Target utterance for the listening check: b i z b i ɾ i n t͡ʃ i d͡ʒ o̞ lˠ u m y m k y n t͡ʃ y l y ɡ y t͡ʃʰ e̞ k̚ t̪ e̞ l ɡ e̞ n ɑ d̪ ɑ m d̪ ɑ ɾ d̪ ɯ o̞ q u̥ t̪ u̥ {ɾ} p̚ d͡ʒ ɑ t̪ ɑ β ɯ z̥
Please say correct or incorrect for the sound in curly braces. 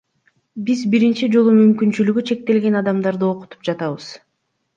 incorrect